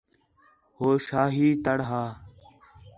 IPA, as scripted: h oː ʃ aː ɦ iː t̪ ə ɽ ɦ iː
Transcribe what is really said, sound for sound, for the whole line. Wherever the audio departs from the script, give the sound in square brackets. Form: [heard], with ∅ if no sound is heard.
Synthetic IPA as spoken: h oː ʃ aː ɦ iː t̪ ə ɽ ɦ [aː]

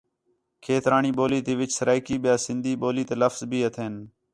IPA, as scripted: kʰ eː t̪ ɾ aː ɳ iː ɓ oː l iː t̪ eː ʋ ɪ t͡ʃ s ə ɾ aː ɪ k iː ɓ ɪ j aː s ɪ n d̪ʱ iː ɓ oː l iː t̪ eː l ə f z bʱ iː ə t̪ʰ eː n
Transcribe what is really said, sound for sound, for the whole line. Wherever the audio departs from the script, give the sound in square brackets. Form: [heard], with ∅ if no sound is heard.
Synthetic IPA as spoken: kʰ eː t̪ ɾ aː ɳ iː ɓ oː l iː t̪ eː ʋ ɪ t͡ʃ s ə ɾ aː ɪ k iː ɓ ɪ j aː s ɪ n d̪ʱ iː ɓ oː l iː t̪ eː l ə f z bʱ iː ə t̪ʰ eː n

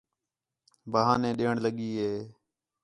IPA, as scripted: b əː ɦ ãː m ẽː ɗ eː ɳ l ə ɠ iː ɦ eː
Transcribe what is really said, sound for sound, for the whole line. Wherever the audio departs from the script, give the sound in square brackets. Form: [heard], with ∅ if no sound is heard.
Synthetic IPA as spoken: b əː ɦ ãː [n] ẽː ɗ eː ɳ l ə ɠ iː ɦ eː

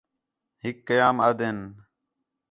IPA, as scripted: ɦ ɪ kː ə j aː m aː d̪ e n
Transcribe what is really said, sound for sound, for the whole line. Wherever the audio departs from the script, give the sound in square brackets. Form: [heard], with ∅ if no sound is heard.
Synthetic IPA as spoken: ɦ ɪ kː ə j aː m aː d̪ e n

